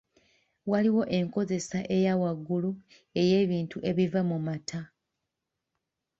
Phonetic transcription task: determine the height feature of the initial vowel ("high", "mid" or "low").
low